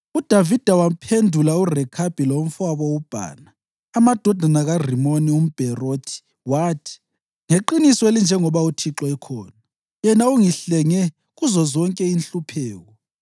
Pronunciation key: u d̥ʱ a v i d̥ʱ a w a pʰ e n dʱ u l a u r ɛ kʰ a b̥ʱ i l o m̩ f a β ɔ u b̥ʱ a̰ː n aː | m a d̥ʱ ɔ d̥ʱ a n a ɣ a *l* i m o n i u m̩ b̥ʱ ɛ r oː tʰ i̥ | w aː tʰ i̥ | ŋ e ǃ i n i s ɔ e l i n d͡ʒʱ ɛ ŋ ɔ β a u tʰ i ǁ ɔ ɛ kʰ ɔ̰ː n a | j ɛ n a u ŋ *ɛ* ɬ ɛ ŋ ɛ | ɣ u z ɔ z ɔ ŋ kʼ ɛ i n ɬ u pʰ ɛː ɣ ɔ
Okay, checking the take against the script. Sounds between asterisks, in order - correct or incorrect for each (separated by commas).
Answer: incorrect, incorrect